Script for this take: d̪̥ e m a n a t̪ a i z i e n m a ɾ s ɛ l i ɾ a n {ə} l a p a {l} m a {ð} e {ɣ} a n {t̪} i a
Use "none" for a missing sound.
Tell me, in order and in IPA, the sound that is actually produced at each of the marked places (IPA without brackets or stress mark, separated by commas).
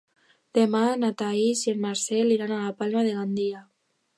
a, l, ð, ɣ, d̪